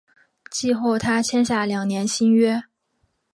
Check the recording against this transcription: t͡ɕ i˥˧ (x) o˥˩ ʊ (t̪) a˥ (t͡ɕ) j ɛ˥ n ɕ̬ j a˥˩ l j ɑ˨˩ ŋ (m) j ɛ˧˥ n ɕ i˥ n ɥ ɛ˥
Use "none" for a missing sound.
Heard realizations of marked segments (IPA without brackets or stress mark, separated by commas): x, t̪ʰ, t͡ɕʰ, n